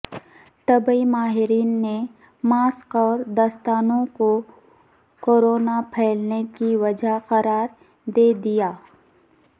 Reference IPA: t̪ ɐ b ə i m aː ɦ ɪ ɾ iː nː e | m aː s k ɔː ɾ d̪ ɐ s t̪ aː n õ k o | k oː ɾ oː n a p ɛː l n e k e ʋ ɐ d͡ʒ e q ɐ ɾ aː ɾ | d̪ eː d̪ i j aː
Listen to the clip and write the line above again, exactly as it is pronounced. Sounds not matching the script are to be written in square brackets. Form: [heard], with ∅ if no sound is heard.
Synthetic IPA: t̪ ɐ b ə i m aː ɦ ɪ ɾ iː nː e | m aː s k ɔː ɾ d̪ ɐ s t̪ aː n õ k o | k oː ɾ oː n a [pʰ] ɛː l n e k [i] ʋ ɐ d͡ʒ [a] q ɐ ɾ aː ɾ | d̪ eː d̪ i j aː

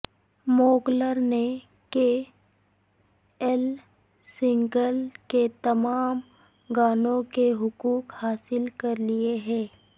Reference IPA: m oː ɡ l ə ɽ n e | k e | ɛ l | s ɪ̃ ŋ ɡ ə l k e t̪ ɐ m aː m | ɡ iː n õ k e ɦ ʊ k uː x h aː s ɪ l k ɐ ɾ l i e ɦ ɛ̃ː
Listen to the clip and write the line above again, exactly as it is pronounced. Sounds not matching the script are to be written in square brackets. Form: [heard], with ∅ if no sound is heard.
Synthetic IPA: m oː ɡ l ə [ɾ] n e | k e | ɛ l | s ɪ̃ ŋ ɡ ə l k e t̪ ɐ m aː m | ɡ [aː] n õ k e ɦ ʊ k uː [k] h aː s ɪ l k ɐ ɾ l i e ɦ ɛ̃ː

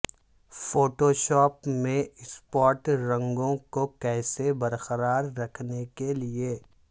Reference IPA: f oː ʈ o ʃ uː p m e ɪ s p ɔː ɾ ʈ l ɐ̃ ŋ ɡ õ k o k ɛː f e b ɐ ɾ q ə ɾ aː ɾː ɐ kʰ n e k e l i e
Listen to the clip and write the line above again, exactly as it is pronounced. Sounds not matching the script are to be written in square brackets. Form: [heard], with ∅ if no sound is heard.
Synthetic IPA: f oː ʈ o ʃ [ɔː] p m [ẽ] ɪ s p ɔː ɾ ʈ [ɾ] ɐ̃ ŋ ɡ õ k o k ɛː [s] e b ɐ ɾ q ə ɾ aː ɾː ɐ kʰ n e k e l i e

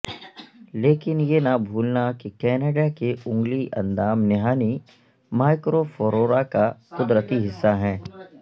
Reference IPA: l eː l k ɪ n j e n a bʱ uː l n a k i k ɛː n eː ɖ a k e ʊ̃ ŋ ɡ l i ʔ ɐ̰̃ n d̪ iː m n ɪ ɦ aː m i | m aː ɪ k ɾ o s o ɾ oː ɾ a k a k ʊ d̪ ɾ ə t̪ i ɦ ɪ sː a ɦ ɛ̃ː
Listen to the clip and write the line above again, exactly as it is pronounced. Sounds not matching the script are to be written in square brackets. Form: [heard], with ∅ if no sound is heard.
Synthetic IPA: l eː [∅] k ɪ n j e n a bʱ uː l n a k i k ɛː n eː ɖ a k e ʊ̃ ŋ ɡ l i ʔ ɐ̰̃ n d̪ [aː] m n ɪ ɦ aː [n] i | m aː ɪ k ɾ o [f] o ɾ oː ɾ a k a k ʊ d̪ ɾ ə t̪ i ɦ ɪ sː a ɦ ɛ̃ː

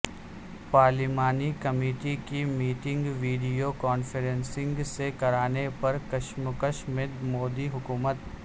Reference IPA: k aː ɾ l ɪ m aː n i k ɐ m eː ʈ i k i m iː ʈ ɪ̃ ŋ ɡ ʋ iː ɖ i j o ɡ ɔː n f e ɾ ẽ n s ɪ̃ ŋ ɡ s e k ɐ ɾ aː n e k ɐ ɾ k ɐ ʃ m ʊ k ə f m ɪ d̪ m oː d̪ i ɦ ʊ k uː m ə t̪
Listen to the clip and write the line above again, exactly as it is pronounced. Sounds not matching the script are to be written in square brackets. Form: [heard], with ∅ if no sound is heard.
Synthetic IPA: [p] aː ɾ l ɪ m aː n i k ɐ m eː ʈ i k i m iː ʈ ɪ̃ ŋ ɡ ʋ iː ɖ i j o [k] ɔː n f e ɾ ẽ n s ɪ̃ ŋ ɡ s e k ɐ ɾ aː n e [p] ɐ ɾ k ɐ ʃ m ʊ k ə [ʃ] m ɪ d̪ m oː d̪ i ɦ ʊ k uː m ə t̪

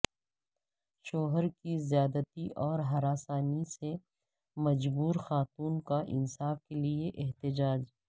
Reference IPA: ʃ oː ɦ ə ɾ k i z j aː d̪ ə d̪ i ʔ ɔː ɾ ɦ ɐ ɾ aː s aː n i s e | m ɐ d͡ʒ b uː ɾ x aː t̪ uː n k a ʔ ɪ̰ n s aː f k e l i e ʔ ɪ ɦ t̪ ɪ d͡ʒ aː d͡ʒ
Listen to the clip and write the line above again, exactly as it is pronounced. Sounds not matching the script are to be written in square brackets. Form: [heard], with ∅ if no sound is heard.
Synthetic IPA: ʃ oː ɦ ə ɾ k i z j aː d̪ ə [t̪] i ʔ ɔː ɾ ɦ ɐ ɾ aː s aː n i s e | m ɐ d͡ʒ b uː ɾ x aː t̪ uː n k a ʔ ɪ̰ n s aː f k e l i e ʔ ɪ ɦ t̪ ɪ d͡ʒ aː d͡ʒ

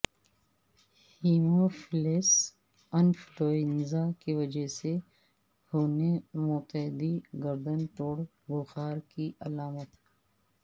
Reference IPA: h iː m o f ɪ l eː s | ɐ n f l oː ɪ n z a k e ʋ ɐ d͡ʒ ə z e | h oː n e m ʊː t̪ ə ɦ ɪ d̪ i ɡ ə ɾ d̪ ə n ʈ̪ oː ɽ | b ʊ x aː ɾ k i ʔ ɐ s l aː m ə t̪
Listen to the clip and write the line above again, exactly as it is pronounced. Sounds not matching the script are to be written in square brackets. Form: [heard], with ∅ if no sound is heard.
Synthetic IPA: h iː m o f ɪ l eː s | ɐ n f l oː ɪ n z a k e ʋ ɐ d͡ʒ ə [s] e | h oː n e m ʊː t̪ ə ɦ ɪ d̪ i ɡ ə ɾ d̪ ə n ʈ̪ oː ɽ | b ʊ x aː ɾ k i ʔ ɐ [∅] l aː m ə t̪

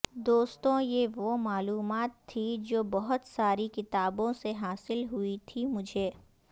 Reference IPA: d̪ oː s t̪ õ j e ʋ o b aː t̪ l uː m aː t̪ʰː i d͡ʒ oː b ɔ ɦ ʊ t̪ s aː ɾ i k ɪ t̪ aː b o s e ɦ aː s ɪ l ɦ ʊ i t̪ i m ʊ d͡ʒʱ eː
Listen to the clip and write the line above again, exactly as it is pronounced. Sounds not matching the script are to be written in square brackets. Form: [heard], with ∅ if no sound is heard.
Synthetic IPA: d̪ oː s t̪ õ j e ʋ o [m] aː [∅] l uː m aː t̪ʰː i d͡ʒ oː b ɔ ɦ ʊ t̪ s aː ɾ i k ɪ t̪ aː b [õ] s e ɦ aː s ɪ l ɦ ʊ i [t̪ʰ] i m ʊ d͡ʒʱ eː

